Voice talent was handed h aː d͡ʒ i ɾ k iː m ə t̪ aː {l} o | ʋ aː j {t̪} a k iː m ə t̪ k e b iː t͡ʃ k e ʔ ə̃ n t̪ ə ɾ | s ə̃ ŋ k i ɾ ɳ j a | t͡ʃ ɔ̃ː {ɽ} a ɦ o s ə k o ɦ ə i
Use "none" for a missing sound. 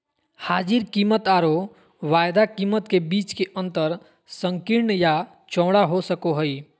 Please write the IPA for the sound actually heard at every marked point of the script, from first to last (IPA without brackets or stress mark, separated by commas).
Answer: ɾ, d̪, ɽ